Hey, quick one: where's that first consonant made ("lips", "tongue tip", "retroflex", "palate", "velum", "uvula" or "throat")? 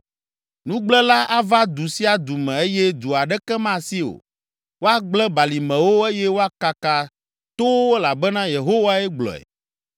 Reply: tongue tip